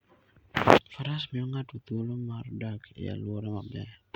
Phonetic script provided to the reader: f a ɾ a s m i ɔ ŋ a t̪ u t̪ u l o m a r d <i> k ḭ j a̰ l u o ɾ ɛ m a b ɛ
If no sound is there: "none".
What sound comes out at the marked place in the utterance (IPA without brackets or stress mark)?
a